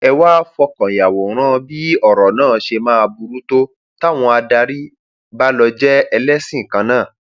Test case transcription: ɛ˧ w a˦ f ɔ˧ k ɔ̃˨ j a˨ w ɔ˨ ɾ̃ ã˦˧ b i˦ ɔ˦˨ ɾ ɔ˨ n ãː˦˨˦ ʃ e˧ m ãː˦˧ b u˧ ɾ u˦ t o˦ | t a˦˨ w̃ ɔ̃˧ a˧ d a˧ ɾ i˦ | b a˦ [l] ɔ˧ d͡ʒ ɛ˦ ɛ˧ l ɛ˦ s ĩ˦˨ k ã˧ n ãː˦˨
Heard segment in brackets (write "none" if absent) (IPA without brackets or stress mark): l